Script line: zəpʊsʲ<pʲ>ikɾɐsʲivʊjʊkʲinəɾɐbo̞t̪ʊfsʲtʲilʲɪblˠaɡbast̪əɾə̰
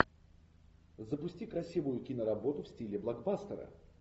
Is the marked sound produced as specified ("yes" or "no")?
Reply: no